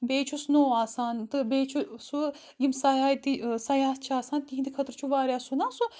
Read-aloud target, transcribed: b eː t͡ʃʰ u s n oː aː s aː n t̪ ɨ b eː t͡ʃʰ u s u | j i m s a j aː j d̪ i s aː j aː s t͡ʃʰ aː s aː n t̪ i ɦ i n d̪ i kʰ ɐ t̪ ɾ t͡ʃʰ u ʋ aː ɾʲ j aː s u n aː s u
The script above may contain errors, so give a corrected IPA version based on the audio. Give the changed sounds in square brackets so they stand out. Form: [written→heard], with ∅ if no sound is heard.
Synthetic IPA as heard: b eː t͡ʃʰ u s n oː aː s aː n t̪ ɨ b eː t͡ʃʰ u s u | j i m s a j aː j [d̪→t̪] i s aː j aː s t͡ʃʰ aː s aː n t̪ i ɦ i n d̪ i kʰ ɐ t̪ ɾ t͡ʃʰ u ʋ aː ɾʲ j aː s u n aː s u